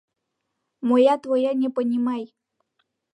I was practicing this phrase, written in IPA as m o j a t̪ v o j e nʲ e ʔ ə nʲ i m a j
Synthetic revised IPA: m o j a t̪ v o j a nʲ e p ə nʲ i m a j